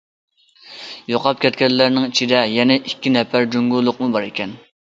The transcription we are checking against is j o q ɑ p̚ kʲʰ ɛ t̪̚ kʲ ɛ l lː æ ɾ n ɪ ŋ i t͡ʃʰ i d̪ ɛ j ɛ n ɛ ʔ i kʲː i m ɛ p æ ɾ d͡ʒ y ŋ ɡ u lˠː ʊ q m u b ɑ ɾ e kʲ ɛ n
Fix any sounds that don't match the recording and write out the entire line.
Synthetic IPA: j o q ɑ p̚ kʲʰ ɛ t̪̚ kʲ ɛ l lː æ ɾ n ɪ ŋ i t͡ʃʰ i d̪ ɛ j ɛ n ɛ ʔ i kʲː i n ɛ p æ ɾ d͡ʒ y ŋ ɡ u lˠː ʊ q m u b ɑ ɾ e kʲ ɛ n